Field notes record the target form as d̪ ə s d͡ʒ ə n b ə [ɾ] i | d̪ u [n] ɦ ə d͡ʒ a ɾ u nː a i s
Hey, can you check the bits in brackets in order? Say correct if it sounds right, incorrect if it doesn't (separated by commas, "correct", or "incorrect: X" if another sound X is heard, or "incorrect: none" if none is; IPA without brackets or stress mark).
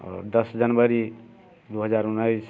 correct, incorrect: none